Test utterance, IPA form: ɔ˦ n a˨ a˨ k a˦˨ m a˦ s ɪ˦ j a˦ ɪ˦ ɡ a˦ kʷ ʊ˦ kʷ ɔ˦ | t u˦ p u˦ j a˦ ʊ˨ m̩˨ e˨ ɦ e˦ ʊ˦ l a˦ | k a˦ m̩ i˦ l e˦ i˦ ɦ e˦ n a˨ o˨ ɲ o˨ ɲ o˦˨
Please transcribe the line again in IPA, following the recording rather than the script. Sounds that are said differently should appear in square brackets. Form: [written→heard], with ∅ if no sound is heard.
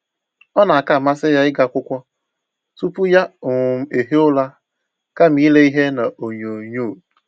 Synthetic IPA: ɔ˦ n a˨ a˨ k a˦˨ m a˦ s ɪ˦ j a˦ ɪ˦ ɡ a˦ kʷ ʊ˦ kʷ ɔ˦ | t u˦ p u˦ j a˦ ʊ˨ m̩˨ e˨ ɦ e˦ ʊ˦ l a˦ | k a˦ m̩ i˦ l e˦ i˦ ɦ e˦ n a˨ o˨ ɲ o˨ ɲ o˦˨